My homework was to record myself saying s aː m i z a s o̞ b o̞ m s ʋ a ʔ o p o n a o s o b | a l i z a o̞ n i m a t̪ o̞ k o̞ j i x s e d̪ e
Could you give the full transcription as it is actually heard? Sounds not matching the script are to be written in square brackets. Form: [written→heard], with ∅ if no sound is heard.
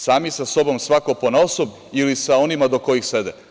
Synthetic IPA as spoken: s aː m i [z→s] a s o̞ b o̞ m s ʋ a [ʔ→k] o p o n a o s o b | [a→i] l i [z→s] a o̞ n i m a [t̪→d̪] o̞ k o̞ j i x s e d̪ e